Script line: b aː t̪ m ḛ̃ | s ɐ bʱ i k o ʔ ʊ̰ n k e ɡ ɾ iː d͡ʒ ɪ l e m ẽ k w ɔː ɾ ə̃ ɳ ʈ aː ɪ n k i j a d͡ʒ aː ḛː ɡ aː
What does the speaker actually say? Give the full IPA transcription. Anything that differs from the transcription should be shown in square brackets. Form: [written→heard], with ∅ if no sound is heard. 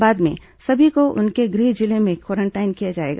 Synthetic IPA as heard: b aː [t̪→d̪] m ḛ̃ | s ɐ bʱ i k o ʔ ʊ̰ n k e ɡ ɾ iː d͡ʒ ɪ l e m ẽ k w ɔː ɾ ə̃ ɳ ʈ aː ɪ n k i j a d͡ʒ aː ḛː ɡ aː